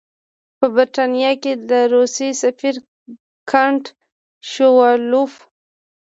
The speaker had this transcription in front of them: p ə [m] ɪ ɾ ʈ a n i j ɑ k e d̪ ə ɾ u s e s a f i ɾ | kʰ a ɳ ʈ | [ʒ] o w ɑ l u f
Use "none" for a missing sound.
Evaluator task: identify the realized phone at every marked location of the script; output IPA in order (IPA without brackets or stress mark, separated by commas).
b, ʃ